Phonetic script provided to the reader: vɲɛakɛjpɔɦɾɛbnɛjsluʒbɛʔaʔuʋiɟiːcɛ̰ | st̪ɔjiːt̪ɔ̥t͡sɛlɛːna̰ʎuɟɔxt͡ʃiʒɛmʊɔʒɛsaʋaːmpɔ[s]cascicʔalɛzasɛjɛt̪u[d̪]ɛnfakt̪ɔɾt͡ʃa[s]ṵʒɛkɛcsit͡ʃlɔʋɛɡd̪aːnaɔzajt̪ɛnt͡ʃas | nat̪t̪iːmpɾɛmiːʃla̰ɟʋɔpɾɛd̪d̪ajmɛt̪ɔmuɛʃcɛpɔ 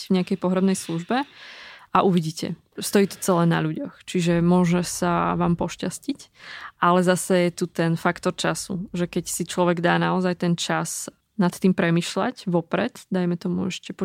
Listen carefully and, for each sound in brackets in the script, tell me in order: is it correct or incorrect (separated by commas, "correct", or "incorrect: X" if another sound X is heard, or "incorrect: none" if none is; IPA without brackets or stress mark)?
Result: incorrect: ʃ, incorrect: t̪, correct